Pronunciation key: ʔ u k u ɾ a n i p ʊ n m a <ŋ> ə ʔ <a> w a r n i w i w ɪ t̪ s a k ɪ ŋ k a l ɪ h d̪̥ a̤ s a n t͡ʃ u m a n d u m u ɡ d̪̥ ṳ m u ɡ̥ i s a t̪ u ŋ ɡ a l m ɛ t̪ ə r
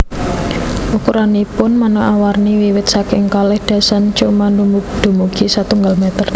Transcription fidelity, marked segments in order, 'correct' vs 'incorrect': incorrect, correct

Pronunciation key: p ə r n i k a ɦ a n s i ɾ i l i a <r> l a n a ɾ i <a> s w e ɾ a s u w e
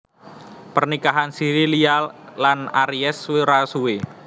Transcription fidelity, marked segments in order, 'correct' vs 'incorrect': incorrect, incorrect

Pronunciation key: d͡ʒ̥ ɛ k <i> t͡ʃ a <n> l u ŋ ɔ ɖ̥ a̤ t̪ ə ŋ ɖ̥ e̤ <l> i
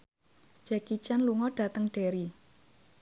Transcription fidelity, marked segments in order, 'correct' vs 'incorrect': correct, correct, incorrect

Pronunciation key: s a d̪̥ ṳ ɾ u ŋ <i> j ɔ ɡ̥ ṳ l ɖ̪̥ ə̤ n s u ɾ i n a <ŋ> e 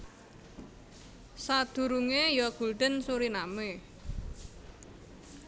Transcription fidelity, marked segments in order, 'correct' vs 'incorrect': incorrect, incorrect

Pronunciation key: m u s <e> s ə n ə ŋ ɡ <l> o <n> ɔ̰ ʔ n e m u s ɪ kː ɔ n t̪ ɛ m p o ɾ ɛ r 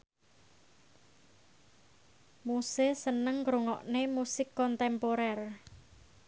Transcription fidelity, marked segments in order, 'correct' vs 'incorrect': correct, incorrect, incorrect

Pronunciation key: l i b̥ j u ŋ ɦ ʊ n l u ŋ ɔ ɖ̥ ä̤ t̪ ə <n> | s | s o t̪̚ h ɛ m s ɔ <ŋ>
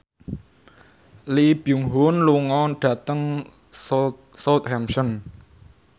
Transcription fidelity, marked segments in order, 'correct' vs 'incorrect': incorrect, incorrect

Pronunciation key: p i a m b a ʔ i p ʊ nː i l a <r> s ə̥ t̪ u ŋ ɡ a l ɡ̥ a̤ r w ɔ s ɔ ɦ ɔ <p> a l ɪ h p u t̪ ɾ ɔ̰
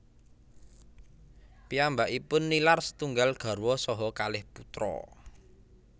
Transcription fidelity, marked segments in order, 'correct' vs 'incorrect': correct, incorrect

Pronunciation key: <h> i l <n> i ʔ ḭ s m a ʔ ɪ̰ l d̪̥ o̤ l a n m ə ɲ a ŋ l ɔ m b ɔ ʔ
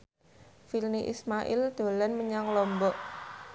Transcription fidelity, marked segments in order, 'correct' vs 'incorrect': incorrect, correct

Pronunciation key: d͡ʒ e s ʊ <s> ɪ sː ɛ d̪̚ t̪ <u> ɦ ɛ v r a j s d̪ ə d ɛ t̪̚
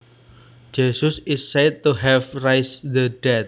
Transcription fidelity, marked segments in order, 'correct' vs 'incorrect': correct, correct

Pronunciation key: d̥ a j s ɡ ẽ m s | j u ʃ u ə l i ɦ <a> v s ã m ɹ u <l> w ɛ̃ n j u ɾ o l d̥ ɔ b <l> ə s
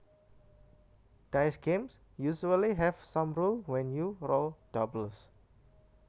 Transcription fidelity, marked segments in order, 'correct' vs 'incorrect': incorrect, correct, correct

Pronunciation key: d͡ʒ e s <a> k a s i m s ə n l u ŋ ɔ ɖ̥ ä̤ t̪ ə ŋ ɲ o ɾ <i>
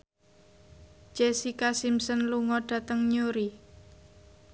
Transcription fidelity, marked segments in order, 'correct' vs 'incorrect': incorrect, correct

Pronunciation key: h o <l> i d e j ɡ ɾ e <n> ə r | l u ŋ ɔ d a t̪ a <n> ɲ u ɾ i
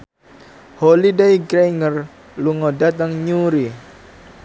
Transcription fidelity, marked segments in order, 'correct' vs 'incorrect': correct, incorrect, incorrect

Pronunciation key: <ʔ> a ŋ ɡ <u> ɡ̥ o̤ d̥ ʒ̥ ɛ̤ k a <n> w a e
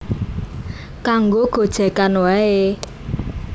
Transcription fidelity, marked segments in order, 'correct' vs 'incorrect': incorrect, incorrect, correct

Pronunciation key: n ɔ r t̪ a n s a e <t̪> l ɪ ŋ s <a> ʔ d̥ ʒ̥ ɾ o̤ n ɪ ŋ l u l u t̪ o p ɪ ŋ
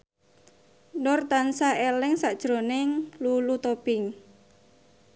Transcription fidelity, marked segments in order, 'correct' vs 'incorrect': incorrect, correct

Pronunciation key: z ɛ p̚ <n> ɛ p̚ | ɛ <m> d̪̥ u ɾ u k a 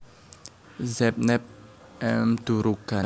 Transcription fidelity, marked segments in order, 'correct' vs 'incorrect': correct, correct

